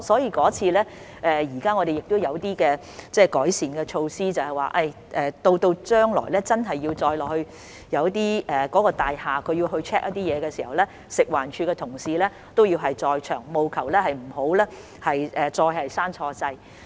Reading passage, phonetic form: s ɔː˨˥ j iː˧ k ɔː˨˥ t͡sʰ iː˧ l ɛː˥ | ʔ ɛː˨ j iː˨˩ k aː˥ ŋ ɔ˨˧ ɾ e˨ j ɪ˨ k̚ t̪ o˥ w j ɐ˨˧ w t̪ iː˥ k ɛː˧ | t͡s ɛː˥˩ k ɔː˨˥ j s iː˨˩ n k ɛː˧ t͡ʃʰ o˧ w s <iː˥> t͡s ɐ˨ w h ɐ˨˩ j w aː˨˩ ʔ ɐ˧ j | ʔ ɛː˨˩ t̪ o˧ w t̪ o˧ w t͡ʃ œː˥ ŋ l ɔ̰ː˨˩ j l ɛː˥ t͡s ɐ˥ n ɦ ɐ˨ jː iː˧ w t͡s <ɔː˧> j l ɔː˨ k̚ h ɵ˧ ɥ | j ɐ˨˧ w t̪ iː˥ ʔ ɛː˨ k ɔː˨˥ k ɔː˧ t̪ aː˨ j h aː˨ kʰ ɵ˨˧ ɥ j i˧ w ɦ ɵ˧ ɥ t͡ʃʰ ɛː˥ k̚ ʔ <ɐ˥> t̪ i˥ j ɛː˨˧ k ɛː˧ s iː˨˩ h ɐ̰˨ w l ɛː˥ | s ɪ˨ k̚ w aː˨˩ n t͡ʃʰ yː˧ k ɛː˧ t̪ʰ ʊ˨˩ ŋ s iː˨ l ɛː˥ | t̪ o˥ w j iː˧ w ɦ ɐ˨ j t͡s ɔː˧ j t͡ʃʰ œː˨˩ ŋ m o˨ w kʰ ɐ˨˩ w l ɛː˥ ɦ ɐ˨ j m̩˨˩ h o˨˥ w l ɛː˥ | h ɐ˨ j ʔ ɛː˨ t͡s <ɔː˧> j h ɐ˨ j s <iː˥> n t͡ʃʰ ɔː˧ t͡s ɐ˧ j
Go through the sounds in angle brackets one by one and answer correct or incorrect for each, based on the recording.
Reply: correct, correct, correct, correct, incorrect

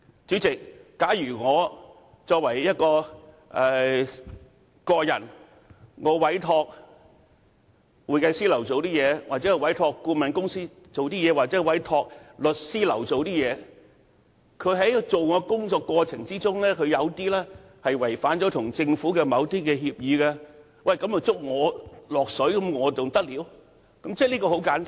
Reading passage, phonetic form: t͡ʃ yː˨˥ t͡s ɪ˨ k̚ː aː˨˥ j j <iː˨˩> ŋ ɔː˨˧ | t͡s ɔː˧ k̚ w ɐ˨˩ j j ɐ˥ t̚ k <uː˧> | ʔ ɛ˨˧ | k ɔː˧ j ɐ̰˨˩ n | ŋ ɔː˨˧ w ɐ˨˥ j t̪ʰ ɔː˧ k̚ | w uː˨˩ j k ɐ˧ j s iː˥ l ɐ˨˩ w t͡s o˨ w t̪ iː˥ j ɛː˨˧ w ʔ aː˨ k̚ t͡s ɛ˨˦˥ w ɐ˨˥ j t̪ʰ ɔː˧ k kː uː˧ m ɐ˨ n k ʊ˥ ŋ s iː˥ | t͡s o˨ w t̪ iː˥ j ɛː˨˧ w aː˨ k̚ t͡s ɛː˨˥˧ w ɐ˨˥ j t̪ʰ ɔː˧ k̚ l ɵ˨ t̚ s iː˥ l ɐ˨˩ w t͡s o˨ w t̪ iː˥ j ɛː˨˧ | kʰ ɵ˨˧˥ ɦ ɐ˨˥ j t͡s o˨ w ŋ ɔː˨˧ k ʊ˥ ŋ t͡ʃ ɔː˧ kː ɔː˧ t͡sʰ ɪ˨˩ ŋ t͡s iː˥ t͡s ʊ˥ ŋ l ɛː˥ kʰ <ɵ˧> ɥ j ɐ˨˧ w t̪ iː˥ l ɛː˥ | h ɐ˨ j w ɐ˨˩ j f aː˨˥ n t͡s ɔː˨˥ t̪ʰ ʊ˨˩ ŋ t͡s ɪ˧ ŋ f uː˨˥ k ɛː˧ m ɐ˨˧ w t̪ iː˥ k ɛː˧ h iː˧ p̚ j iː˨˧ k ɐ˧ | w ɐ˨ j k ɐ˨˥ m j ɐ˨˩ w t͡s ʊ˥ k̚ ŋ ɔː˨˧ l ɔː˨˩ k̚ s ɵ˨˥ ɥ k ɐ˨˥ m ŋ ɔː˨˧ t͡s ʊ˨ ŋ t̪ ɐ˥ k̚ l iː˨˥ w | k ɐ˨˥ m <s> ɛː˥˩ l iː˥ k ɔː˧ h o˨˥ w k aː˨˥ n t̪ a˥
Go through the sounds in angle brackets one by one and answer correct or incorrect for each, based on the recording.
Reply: incorrect, incorrect, correct, incorrect

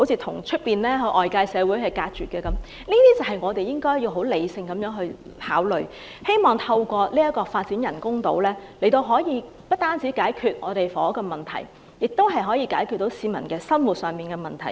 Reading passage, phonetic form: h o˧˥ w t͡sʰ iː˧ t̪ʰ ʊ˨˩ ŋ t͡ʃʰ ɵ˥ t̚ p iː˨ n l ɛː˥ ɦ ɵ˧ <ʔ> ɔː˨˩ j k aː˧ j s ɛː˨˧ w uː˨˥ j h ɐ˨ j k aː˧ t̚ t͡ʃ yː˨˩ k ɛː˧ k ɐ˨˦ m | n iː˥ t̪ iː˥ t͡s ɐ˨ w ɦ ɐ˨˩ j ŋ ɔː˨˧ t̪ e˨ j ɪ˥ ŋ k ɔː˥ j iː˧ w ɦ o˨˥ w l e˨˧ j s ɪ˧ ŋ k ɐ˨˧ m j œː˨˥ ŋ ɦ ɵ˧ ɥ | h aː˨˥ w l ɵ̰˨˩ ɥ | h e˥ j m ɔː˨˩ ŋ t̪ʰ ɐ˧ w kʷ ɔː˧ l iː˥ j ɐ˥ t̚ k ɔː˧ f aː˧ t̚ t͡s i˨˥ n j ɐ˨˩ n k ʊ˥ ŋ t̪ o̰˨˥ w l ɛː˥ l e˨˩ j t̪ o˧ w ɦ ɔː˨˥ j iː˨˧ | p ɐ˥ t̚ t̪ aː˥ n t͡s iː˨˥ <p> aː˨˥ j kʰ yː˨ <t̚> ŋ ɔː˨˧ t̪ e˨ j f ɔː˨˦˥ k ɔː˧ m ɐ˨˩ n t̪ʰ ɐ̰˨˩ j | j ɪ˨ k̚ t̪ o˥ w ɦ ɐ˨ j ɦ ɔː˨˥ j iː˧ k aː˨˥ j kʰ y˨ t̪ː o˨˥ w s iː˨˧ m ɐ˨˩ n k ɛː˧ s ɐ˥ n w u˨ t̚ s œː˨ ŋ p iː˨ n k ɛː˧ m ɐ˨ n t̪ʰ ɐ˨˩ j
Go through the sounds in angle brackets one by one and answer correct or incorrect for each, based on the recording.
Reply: correct, incorrect, correct

